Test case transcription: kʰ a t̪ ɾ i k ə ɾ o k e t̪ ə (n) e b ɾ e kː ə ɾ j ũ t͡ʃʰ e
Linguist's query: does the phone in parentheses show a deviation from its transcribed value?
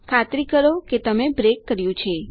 yes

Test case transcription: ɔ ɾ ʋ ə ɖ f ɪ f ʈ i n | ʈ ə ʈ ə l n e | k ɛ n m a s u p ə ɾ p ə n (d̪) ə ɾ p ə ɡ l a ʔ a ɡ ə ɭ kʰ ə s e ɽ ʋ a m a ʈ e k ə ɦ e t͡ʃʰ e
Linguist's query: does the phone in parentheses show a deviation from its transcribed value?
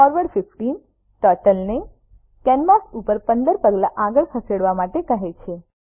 no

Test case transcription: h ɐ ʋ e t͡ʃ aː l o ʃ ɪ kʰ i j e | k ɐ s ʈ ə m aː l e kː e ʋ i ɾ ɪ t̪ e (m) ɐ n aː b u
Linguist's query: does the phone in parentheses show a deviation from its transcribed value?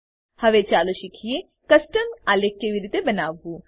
yes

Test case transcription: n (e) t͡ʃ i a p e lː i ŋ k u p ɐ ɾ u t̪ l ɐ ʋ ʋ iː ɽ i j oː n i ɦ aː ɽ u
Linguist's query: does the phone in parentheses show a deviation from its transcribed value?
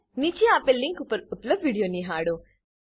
yes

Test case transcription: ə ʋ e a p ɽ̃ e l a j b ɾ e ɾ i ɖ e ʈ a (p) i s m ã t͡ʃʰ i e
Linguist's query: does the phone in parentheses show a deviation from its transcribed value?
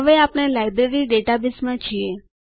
yes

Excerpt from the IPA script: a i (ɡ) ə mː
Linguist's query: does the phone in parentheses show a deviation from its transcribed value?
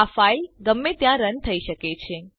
no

